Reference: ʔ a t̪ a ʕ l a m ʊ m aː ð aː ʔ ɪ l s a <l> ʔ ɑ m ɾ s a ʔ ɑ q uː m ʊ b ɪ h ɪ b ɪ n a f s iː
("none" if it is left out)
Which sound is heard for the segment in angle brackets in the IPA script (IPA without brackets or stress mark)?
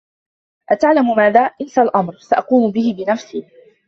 l